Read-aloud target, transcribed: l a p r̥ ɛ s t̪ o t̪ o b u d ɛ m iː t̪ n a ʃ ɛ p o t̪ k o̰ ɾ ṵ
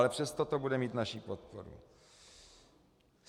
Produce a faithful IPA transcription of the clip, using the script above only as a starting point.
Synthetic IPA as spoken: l ɛ p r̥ ɛ s t̪ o t̪ o b u d ɛ m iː t̪ n a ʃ i p o t̪ p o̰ ɾ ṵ